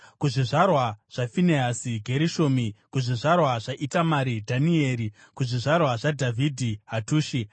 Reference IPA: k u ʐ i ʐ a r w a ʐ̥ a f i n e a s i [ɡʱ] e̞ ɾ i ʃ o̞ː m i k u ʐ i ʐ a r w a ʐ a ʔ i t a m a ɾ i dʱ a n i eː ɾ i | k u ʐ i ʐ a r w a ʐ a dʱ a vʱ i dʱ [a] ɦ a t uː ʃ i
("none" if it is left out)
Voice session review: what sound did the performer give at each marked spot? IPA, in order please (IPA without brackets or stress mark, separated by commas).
ɡʱ, i